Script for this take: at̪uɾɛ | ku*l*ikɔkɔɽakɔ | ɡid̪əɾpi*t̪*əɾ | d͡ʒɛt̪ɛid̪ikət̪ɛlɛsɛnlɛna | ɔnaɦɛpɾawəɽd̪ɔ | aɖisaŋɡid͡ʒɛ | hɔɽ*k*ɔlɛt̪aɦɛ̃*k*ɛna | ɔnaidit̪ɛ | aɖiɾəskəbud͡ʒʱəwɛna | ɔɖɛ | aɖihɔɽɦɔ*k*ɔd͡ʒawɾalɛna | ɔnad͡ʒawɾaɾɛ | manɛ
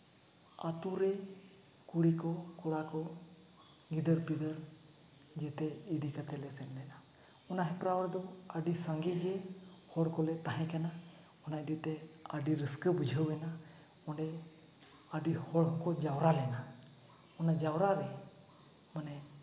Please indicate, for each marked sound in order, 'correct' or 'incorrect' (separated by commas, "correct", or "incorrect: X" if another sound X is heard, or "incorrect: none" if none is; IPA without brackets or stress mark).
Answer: incorrect: ɽ, incorrect: d̪, correct, correct, correct